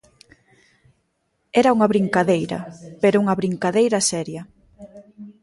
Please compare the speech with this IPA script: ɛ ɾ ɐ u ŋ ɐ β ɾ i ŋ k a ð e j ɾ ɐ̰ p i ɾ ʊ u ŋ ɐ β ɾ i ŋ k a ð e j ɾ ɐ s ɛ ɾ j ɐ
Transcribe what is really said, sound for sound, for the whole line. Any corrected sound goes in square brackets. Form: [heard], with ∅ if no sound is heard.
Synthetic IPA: ɛ ɾ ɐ u ŋ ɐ β ɾ i ŋ k a ð e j ɾ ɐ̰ p [e] ɾ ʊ u ŋ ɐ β ɾ i ŋ k a ð e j ɾ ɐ s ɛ ɾ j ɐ